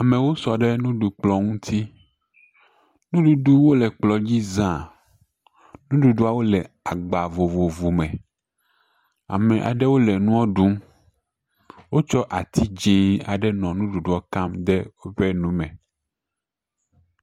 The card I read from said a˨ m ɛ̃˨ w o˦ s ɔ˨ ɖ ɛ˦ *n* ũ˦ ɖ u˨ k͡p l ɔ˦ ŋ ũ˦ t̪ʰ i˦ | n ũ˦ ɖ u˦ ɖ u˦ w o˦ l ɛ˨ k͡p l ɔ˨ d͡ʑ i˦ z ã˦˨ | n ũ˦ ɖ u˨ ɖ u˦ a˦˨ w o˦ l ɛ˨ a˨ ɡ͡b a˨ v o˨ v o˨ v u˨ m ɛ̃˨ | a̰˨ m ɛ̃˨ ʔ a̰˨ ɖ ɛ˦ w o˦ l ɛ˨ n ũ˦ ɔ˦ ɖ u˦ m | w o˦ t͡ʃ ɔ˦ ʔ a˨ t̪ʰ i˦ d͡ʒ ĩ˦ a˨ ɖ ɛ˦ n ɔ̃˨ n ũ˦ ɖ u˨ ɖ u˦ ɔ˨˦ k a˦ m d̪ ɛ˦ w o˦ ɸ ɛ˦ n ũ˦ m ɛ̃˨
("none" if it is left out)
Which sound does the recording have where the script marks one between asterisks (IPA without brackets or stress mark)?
n